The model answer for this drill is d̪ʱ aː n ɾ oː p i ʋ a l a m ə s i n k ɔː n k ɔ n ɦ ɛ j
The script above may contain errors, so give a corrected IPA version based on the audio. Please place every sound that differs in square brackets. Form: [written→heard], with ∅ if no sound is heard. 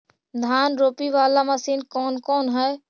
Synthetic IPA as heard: d̪ʱ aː n ɾ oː p i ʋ a l a m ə s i n k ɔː n k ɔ n ɦ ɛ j